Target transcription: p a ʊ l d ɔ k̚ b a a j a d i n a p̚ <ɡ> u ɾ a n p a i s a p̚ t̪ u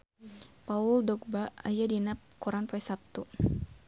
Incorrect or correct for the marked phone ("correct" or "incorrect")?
incorrect